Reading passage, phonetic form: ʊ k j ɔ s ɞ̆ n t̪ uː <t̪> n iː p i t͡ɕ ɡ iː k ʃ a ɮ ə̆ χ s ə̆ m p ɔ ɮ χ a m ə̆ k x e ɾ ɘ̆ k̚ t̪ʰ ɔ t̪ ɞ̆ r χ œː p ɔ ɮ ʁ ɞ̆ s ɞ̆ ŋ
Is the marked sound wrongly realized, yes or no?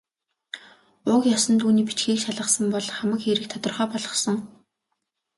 yes